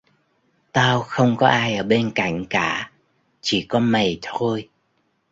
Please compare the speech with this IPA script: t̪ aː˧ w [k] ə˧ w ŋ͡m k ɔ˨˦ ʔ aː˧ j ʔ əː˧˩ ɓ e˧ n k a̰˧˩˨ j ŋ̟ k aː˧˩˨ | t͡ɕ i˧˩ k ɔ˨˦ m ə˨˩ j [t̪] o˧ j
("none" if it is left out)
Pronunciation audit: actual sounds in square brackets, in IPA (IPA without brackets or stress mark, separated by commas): x, t̪ʰ